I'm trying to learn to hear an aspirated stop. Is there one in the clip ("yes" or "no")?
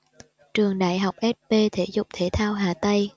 yes